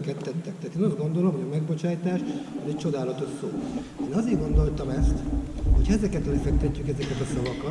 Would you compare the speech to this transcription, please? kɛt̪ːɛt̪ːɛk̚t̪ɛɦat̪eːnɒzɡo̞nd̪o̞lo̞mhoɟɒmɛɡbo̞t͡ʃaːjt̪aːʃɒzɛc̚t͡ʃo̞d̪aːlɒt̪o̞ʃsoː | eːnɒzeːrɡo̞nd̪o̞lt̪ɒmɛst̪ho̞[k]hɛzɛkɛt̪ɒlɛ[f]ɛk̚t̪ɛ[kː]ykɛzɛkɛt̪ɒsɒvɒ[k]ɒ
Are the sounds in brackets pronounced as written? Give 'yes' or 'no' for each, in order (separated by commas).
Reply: no, yes, no, yes